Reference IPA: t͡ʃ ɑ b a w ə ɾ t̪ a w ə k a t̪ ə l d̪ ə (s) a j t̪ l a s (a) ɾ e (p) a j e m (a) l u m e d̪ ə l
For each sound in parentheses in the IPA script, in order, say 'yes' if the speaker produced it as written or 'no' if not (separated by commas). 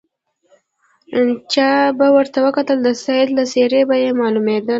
yes, no, no, no